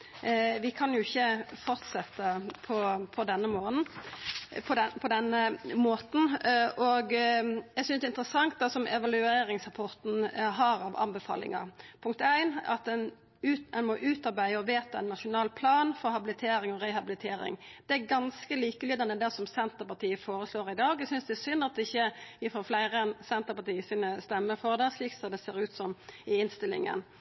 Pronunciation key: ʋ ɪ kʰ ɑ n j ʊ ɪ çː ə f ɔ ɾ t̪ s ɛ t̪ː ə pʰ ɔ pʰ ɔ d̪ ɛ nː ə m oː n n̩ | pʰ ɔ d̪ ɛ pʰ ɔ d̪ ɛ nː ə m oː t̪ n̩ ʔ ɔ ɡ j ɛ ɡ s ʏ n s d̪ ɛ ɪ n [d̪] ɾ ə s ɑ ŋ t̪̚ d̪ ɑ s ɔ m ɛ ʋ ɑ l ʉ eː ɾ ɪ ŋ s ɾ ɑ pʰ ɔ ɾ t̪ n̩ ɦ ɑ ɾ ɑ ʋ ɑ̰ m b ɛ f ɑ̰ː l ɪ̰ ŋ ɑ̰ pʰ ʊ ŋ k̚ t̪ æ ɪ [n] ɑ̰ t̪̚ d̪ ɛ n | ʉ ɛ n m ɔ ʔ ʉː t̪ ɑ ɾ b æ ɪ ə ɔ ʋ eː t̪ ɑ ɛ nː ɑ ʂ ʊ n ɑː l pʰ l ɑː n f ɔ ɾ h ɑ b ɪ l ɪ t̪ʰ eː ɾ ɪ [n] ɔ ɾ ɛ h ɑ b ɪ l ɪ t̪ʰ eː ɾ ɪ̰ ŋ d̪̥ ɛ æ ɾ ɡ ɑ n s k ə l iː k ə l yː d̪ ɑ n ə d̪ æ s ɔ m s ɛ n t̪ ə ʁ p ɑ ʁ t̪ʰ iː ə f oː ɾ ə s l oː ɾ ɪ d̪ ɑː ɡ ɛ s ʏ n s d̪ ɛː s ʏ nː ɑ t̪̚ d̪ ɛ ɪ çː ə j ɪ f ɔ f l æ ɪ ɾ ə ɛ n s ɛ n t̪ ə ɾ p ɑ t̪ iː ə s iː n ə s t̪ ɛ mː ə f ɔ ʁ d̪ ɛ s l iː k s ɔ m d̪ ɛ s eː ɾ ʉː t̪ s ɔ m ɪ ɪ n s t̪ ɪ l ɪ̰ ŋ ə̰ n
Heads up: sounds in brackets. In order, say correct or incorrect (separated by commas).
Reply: incorrect, correct, incorrect